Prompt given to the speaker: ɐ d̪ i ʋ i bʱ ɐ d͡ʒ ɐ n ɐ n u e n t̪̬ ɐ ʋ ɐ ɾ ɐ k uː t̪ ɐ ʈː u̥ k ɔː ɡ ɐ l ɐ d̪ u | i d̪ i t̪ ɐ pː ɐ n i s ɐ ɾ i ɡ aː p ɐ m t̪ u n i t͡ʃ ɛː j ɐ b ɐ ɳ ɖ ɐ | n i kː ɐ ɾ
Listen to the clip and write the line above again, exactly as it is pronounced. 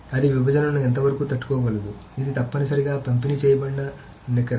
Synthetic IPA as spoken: ɐ d̪ i ʋ i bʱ ɐ d͡ʒ ɐ n ɐ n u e n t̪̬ ɐ ʋ ɐ ɾ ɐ k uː t̪ ɐ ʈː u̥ k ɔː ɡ ɐ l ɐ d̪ u | i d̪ i t̪ ɐ pː ɐ n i s ɐ ɾ i ɡ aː p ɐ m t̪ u n i t͡ʃ ɛː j ɐ b ɐ ɳ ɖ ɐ | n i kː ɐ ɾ